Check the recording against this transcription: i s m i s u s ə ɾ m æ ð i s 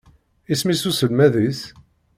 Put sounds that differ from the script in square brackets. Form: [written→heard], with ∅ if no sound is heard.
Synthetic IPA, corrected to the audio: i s m i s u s ə [ɾ→l] m æ ð i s